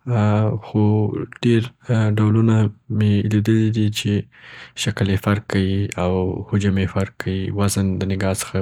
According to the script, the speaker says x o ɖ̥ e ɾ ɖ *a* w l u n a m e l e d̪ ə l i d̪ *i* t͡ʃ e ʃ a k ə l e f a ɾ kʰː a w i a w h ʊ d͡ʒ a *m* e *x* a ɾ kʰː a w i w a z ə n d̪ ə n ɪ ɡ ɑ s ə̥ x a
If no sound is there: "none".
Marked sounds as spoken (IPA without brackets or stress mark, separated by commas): a, i, m, f